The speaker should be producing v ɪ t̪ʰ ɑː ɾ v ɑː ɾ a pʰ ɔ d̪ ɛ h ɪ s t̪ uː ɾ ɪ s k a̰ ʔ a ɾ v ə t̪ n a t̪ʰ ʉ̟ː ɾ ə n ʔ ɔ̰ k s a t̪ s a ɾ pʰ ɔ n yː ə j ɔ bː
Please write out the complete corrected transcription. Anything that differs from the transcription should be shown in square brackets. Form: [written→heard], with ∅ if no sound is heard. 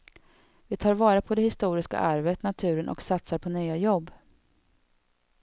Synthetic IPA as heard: v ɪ t̪ʰ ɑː ɾ v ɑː ɾ a pʰ ɔ d̪ ɛ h ɪ s t̪ uː ɾ ɪ s k a̰ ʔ a ɾ v ə t̪ n a t̪ʰ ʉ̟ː ɾ ə n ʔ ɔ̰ k s a t̪ s a ɾ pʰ ɔ n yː [ə→a] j ɔ bː